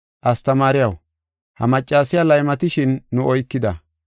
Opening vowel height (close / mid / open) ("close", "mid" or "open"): open